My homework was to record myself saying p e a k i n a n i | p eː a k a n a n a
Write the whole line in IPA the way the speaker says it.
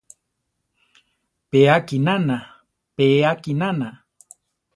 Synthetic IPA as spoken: p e a k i n a n a | p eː a k i n a n a